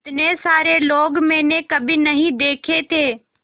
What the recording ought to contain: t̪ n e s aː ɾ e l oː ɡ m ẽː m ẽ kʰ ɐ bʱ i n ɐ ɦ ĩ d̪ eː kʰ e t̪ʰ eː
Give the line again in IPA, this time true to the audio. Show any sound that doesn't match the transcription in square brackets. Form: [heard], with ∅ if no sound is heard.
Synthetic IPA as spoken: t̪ n e s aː ɾ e l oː ɡ m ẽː [n] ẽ [k] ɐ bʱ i n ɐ ɦ ĩ d̪ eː kʰ e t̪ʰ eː

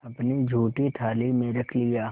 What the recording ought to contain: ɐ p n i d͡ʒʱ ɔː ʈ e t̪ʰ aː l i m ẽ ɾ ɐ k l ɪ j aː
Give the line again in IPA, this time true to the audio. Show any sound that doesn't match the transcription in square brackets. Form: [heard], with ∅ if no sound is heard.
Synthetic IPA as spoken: ɐ p n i d͡ʒʱ [uː] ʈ [i] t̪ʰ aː l i m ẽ ɾ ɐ [kʰ] l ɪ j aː

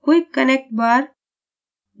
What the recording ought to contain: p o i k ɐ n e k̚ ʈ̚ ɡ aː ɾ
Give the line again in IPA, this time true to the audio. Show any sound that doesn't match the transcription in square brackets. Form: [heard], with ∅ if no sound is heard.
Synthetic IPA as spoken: [k] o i k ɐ n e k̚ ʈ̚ [b] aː ɾ

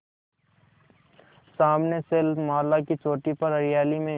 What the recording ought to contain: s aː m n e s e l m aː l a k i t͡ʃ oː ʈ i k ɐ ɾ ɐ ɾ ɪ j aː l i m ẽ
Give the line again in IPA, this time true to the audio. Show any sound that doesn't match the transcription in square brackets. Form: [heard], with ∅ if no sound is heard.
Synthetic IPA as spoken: s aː m n e s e l m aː l a k i t͡ʃ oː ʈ i [p] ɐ ɾ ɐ ɾ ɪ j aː l i m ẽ

